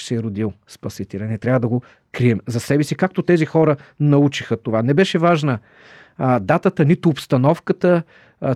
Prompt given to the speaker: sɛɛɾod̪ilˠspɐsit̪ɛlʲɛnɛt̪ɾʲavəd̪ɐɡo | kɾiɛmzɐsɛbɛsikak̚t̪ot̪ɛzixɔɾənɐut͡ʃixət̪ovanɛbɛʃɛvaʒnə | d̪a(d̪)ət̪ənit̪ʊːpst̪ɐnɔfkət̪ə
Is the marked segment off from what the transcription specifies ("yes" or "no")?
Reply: yes